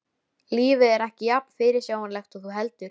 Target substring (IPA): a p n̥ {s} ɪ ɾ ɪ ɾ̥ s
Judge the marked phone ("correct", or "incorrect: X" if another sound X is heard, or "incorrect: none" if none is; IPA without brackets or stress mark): incorrect: f